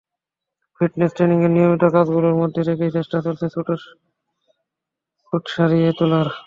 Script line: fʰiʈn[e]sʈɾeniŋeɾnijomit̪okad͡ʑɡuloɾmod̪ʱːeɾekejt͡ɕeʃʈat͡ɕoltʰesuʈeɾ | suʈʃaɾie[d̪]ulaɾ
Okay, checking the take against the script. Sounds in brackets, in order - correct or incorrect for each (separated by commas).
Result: correct, incorrect